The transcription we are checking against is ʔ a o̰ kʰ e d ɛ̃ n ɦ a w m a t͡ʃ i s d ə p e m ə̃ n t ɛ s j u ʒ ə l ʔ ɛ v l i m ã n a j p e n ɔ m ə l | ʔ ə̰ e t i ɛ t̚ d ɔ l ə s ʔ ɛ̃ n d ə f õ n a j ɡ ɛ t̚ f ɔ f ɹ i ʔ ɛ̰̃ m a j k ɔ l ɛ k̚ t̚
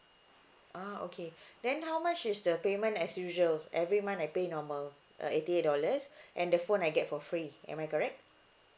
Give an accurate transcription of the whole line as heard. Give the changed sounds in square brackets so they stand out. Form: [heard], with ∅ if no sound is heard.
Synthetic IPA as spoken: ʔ a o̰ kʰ e d ɛ̃ n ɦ a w m a t͡ʃ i s d ə p e m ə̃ n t ɛ s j u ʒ ə l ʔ ɛ v [ɹ] i m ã n a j p e n ɔ m ə l | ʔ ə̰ e t i [e] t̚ d ɔ l ə s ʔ ɛ̃ n d ə f õ n a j ɡ ɛ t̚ f ɔ f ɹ i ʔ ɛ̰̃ m a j k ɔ [ɹ] ɛ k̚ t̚